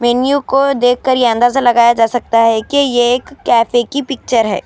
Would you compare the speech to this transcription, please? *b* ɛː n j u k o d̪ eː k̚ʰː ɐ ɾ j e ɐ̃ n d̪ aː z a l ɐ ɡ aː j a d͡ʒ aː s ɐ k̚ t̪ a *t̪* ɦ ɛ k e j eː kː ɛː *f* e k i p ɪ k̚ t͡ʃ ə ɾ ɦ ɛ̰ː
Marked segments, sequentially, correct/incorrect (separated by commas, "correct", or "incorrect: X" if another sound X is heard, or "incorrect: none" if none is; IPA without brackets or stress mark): incorrect: m, incorrect: none, correct